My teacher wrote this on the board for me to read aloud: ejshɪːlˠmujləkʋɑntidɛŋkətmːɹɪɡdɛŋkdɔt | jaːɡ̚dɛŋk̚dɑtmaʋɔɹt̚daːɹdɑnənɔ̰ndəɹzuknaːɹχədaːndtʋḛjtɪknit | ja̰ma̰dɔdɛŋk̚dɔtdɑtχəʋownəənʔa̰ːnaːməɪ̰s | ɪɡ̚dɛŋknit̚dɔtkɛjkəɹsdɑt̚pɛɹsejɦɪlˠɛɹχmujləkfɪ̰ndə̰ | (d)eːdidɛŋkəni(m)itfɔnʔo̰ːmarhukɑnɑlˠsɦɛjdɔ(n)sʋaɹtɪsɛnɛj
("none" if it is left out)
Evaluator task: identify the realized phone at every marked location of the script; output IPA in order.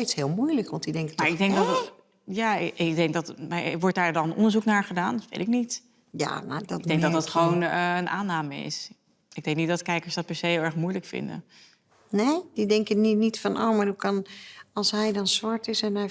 n, n, n

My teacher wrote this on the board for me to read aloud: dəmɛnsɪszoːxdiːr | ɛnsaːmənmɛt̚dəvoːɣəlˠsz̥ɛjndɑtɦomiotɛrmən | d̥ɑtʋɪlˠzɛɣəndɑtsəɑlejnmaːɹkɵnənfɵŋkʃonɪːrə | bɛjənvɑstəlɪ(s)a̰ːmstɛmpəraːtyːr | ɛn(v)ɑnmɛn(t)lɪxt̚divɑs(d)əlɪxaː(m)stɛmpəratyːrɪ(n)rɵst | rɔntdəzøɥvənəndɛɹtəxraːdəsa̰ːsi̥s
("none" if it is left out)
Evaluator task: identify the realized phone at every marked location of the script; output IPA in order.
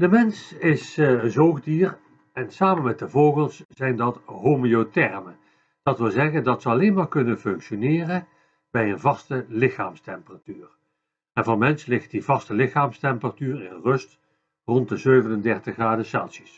x, v, s, t, m, n

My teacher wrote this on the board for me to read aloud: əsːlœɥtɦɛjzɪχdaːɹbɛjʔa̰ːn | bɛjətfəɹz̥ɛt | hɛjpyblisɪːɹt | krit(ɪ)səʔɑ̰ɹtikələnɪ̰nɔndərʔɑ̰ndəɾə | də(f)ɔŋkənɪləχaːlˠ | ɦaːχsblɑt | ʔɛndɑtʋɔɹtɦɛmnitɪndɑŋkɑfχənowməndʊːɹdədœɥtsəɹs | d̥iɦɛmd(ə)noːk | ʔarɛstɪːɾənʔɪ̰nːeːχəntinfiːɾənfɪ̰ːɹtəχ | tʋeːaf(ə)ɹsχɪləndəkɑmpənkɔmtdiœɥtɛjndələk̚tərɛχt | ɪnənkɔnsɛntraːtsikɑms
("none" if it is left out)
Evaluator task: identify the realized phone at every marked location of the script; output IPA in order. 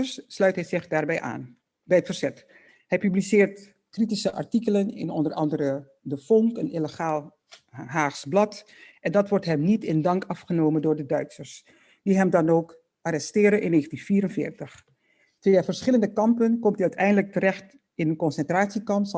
i, f, ɑ, ə

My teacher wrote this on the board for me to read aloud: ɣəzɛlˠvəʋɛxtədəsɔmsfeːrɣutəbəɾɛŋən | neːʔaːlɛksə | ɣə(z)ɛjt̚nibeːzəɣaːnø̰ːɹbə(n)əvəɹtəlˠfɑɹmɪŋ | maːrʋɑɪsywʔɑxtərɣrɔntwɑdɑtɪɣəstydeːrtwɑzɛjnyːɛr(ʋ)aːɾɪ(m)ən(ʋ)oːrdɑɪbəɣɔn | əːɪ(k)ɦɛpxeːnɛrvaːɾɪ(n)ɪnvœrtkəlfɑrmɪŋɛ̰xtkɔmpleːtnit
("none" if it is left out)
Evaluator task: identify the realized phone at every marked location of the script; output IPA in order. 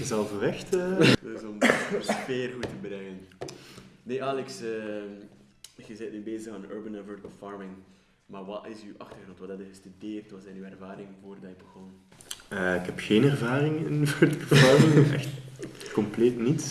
z, n, v, ŋ, v, k, ŋ

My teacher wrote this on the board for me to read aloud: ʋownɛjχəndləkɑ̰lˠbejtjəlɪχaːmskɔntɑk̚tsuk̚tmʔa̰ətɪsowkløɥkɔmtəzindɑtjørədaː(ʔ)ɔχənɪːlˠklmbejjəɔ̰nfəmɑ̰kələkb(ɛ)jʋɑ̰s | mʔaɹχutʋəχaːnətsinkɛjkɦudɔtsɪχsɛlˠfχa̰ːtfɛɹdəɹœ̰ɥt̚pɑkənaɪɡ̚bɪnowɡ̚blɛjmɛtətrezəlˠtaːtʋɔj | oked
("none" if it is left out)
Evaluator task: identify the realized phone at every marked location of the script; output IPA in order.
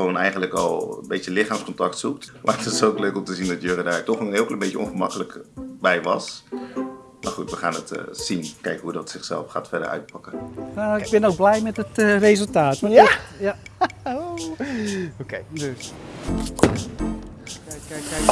t, ɛ

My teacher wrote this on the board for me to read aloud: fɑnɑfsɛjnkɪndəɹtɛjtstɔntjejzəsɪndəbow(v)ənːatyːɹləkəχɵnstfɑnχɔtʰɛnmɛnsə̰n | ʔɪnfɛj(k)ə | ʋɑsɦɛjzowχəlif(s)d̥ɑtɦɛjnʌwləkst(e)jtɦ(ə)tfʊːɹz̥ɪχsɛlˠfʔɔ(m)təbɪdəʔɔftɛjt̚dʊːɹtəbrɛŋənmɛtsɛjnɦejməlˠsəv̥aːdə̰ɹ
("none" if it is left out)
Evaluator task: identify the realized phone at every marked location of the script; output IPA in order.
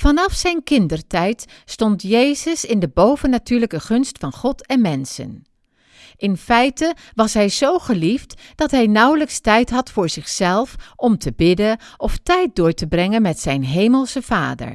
v, t, t, ɛ, ɑ, m

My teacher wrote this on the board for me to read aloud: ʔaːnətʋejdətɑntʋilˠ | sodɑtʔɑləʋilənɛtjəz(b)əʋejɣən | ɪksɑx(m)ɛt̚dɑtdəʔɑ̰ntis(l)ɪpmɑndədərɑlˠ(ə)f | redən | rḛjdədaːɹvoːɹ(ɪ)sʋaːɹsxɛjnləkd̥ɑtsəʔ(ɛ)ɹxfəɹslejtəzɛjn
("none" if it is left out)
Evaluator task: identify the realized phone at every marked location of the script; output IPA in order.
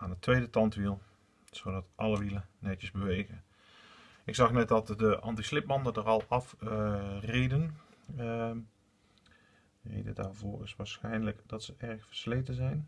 b, n, l, ɑ, ɪ, ɛ

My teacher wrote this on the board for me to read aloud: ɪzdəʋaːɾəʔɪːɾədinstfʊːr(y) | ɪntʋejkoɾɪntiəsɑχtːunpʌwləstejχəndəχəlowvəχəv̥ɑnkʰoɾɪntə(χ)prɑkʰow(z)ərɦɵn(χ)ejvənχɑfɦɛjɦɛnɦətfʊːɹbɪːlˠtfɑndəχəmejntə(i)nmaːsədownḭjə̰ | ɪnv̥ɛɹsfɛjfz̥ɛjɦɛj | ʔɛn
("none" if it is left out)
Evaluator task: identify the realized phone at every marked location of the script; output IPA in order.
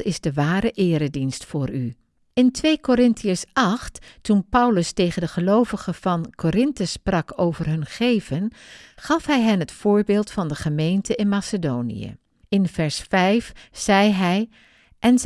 y, s, v, χ, ɪ

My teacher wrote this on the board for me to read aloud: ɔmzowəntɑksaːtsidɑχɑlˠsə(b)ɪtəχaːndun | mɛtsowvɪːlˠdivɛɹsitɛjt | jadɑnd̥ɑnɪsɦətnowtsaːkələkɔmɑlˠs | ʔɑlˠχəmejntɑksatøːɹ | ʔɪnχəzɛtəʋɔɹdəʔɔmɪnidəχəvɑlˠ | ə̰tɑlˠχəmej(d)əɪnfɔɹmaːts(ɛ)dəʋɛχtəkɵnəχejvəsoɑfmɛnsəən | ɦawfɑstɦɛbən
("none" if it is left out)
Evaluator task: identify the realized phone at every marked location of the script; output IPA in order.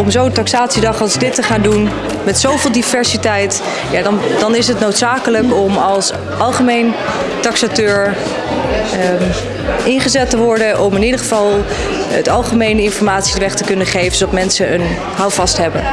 d, n, i

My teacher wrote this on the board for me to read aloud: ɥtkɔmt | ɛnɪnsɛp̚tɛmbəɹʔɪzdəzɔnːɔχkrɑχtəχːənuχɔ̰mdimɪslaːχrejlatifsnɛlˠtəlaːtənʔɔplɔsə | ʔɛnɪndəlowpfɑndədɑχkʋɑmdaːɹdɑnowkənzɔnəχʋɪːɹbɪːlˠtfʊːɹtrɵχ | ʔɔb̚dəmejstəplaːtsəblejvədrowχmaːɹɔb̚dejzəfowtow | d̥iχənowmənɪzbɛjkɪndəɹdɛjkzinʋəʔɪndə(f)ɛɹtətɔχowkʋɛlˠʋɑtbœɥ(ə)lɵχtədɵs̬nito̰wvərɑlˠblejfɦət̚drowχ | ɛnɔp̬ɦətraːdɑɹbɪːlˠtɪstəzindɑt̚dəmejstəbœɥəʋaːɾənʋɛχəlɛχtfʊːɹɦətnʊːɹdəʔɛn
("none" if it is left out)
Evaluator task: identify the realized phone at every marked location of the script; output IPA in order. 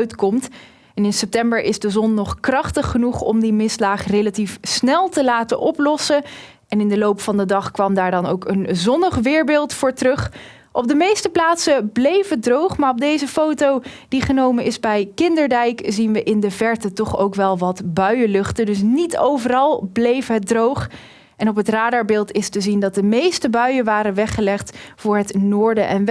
v, ə

